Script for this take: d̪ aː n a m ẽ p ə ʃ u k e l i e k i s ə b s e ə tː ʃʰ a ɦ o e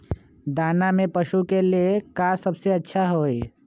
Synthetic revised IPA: d̪ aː n a m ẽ p ə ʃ u k e l i e k a s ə b s e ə tː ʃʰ a ɦ o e

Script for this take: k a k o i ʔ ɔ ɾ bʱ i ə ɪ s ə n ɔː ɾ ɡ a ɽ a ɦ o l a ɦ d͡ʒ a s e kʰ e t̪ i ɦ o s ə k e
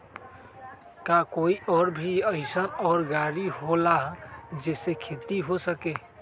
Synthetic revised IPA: k a k o i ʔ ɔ ɾ bʱ i ə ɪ s ə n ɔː ɾ ɡ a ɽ i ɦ o l a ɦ d͡ʒ e s e kʰ e t̪ i ɦ o s ə k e

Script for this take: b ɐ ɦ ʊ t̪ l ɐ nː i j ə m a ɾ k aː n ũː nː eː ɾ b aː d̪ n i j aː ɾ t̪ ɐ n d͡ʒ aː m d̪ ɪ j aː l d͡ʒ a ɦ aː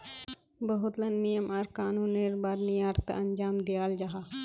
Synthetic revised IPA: b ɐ ɦ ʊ t̪ l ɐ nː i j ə m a ɾ k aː n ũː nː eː ɾ b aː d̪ n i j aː ɾ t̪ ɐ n d͡ʒ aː m d̪ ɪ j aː l d͡ʒ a ɦ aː

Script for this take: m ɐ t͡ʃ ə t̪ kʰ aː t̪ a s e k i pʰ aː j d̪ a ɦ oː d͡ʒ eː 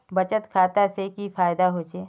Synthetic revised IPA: b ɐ t͡ʃ ə t̪ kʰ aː t̪ a s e k i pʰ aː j d̪ a ɦ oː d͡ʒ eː

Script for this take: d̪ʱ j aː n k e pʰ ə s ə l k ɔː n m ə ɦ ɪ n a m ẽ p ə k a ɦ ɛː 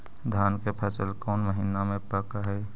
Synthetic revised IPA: d̪ʱ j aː n k e pʰ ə s ə l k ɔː n m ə ɦ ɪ n a m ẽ p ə k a ɦ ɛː

